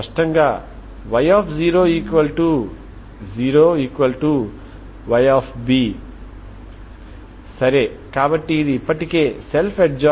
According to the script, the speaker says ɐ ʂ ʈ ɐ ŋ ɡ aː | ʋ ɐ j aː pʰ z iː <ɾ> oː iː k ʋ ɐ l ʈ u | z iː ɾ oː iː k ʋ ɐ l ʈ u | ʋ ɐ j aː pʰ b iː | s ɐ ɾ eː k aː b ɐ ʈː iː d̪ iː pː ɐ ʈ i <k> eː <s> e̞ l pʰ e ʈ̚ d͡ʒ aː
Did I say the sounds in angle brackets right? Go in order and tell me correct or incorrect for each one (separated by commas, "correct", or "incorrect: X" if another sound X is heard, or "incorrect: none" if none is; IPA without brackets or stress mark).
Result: correct, correct, correct